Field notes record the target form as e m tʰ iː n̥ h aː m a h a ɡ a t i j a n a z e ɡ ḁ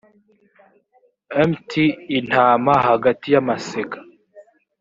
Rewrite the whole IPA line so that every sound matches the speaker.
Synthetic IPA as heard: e m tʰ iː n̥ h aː m a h a ɡ a t i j a m a s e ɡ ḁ

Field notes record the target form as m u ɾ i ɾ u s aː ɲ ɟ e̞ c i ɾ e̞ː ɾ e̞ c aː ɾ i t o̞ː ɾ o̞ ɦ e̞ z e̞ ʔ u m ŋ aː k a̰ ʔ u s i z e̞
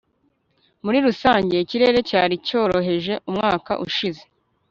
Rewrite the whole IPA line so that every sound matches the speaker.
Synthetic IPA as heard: m u ɾ i ɾ u s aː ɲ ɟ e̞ c i ɾ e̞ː ɾ e̞ c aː ɾ i c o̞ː ɾ o̞ ɦ e̞ ʒ e̞ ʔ u m ŋ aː k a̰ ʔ u ʃ i z e̞

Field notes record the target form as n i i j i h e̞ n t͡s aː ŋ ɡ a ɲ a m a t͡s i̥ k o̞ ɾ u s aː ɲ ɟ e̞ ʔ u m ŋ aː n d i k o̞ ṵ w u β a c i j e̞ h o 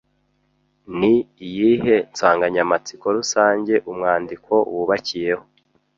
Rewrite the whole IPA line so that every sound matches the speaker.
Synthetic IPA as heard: n i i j i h e̞ n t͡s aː ŋ ɡ a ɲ a m a t͡s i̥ k o̞ ɾ u s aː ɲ ɟ e̞ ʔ u m ŋ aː n d i k o̞ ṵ w u β a c i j e̞ h o

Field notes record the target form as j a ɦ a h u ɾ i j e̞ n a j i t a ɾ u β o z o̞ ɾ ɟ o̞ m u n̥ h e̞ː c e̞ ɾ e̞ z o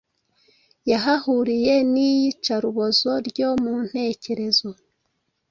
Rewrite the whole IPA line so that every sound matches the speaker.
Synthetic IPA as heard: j a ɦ a h u ɾ i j e̞ n i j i t͡ʃ a ɾ u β o z o̞ ɾ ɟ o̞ m u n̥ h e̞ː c e̞ ɾ e̞ z o

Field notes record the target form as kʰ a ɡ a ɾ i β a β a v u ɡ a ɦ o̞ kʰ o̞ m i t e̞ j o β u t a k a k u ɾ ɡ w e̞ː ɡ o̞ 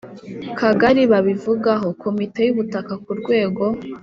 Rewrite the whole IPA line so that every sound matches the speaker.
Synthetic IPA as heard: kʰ a ɡ a ɾ i β a β i v u ɡ a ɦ o̞ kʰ o̞ m i t e̞ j u β u t a k a k u ɾ ɡ w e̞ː ɡ o̞

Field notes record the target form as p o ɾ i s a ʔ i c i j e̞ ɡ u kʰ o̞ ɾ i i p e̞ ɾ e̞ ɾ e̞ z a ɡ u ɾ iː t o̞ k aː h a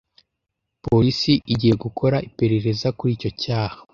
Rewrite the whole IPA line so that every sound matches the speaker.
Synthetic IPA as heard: p o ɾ i s i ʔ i ɟ i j e̞ ɡ u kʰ o̞ ɾ a i p e̞ ɾ e̞ ɾ e̞ z a k u ɾ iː c o̞ c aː h a

